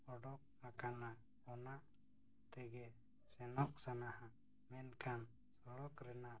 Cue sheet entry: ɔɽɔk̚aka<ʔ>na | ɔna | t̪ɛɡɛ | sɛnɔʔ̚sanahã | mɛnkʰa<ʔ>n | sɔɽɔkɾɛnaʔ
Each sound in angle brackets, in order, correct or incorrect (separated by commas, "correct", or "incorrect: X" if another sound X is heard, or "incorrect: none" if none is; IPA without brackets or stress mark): incorrect: none, incorrect: none